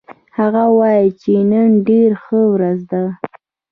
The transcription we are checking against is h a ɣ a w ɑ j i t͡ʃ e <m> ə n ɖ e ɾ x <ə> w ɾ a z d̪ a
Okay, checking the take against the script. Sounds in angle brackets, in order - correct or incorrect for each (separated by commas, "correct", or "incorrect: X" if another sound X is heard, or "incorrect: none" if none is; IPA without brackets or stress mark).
incorrect: n, correct